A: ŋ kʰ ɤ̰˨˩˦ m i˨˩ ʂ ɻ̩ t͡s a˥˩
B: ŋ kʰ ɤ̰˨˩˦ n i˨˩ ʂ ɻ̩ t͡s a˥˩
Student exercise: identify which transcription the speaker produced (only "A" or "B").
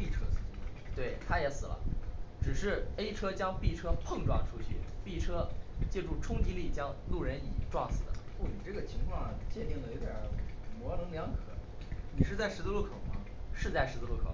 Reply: B